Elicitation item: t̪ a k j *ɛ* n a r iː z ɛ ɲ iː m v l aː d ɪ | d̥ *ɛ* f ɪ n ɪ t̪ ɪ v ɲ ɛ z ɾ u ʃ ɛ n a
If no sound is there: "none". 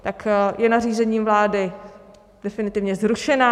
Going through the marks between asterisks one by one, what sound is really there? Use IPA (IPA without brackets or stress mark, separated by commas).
ɛ, ɛ